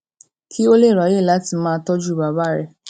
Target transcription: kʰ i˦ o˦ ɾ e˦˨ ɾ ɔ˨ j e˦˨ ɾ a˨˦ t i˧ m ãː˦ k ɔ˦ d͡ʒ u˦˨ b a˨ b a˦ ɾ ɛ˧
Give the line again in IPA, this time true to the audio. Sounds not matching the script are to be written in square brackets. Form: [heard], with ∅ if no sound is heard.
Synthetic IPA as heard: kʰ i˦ o˦ [l] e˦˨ ɾ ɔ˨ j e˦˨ [l] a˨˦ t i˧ m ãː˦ [t] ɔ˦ d͡ʒ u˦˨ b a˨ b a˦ ɾ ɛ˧